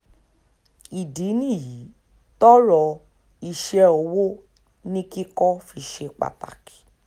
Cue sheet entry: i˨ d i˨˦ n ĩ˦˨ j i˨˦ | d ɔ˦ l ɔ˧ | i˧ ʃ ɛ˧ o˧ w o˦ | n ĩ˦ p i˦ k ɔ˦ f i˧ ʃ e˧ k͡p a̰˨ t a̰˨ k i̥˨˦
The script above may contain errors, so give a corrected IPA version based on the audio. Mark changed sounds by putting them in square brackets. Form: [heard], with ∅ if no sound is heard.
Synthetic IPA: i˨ d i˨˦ n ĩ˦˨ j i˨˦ | [t] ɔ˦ [ɾ] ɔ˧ | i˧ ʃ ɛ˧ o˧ w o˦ | n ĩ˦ [k] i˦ k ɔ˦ f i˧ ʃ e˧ k͡p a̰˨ t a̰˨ k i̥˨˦